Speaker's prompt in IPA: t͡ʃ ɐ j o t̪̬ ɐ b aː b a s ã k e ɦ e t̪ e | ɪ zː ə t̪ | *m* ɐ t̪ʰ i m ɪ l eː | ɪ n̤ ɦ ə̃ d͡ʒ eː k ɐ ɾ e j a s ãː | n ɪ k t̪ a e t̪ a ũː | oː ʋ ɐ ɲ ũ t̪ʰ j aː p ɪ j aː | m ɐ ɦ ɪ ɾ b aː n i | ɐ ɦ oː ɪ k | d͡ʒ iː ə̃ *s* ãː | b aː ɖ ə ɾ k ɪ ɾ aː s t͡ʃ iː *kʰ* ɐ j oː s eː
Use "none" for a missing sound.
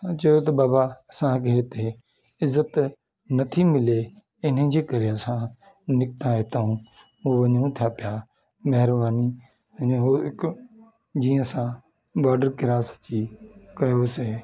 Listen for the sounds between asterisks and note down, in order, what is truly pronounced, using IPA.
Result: n, s, k

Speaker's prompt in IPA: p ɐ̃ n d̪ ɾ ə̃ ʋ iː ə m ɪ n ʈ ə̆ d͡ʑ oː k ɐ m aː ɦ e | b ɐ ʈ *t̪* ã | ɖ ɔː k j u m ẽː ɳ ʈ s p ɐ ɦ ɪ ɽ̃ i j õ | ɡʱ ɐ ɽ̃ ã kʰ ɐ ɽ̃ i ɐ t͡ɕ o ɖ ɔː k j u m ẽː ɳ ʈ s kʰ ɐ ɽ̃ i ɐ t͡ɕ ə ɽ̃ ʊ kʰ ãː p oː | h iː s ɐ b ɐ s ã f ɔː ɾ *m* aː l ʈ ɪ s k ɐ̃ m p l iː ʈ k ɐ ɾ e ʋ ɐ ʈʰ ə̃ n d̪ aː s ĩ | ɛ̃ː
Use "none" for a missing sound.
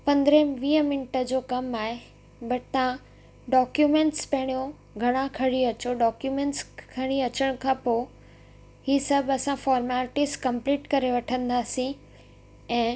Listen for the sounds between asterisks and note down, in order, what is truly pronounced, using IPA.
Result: t̪, m

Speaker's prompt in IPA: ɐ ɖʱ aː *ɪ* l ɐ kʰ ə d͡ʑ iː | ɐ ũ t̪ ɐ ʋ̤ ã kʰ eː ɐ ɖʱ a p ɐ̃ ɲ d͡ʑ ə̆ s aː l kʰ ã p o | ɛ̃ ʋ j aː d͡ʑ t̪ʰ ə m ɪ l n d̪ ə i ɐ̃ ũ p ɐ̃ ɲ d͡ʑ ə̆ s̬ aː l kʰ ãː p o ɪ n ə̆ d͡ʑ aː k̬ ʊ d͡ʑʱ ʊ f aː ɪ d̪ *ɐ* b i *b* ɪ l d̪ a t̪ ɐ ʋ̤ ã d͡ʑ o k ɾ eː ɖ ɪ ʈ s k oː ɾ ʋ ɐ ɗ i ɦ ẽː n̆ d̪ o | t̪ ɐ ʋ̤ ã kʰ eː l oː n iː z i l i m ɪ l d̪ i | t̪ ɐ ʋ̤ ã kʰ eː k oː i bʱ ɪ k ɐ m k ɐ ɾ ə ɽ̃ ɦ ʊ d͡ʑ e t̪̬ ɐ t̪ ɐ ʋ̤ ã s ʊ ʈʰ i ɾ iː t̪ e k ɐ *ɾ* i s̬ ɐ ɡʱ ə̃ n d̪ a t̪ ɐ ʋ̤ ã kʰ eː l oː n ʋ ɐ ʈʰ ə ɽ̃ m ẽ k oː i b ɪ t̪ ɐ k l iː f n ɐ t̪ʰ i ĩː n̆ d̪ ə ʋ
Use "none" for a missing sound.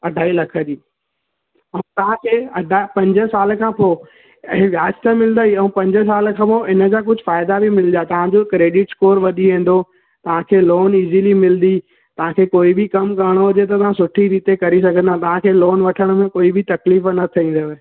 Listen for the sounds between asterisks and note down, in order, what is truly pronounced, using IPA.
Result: i, a, m, ɾ

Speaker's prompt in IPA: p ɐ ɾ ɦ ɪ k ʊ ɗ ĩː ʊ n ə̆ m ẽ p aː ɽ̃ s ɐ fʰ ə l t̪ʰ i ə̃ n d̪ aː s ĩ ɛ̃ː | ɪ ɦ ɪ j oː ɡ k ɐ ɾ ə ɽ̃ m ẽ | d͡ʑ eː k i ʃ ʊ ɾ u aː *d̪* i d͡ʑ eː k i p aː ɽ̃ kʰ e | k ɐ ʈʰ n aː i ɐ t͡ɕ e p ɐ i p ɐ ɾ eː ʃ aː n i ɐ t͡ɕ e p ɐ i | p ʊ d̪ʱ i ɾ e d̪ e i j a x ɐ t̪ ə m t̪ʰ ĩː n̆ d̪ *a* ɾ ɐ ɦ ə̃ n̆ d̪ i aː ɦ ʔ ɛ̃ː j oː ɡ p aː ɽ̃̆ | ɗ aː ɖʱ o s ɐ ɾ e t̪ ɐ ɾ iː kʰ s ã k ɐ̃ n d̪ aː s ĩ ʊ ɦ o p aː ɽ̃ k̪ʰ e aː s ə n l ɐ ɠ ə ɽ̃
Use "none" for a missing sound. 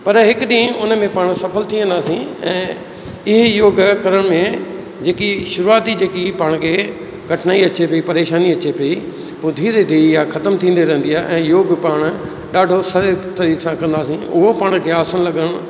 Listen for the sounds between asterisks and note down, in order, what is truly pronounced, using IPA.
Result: t̪, e

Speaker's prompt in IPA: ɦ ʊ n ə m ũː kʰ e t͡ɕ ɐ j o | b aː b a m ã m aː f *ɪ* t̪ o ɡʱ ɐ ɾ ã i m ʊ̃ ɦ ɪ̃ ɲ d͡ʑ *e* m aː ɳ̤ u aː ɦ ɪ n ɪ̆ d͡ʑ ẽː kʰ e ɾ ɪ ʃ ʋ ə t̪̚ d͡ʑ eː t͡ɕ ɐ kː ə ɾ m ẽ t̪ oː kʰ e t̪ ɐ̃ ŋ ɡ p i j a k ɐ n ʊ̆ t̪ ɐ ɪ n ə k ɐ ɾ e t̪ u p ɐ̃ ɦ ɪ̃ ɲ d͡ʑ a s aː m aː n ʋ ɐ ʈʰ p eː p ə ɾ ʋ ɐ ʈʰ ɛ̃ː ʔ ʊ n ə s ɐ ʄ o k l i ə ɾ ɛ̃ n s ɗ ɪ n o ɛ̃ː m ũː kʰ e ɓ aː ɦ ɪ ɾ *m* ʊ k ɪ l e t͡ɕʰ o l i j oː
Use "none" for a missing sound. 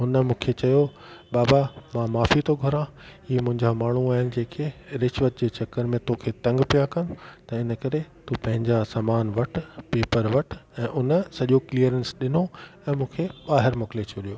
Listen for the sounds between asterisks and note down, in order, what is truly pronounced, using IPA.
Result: i, a, m

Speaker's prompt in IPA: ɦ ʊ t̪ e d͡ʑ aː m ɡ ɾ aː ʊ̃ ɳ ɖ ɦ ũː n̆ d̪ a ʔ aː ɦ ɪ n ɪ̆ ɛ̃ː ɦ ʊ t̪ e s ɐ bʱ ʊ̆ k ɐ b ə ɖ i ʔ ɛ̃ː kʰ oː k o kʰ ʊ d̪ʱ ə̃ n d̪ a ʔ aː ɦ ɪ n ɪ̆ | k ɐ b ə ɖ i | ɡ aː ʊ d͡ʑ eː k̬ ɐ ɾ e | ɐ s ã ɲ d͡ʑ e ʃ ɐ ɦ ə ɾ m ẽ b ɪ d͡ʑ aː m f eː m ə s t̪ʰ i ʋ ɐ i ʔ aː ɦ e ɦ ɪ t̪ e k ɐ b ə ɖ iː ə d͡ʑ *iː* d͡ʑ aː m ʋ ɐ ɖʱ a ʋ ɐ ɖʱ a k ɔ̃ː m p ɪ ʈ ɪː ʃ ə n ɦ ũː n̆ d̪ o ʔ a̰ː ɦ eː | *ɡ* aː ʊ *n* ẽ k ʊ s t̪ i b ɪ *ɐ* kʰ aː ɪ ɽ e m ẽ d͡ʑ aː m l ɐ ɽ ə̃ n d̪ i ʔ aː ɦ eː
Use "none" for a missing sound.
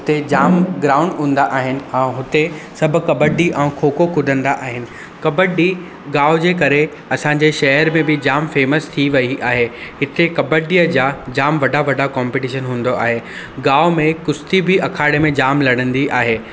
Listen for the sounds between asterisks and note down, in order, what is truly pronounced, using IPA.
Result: aː, ɡ, m, ɐ

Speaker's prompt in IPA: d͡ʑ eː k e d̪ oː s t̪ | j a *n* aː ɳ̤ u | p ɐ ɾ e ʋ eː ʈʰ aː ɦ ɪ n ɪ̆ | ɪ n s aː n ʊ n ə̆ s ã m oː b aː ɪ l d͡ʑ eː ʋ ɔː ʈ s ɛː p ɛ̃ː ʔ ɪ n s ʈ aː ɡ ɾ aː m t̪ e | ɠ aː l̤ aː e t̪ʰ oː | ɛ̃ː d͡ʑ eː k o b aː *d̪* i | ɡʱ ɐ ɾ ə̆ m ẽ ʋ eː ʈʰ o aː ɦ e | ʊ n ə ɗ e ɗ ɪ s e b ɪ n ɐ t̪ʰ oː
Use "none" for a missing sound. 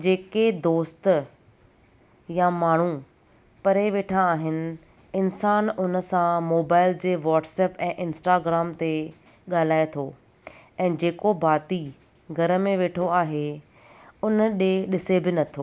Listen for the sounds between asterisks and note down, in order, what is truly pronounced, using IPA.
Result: m, t̪

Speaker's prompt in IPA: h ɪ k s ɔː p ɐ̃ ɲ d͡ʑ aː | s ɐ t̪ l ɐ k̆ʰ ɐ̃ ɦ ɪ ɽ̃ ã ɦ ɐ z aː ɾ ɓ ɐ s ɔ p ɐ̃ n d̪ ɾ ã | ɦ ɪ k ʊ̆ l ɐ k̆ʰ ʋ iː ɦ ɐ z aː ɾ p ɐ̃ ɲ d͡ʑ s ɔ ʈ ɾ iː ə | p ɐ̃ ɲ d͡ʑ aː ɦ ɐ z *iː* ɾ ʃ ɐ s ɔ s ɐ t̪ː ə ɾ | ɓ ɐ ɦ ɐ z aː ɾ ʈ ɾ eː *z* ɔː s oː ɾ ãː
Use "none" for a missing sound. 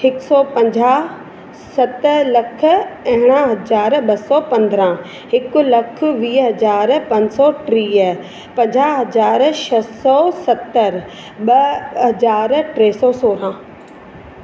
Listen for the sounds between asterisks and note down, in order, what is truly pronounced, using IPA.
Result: aː, s

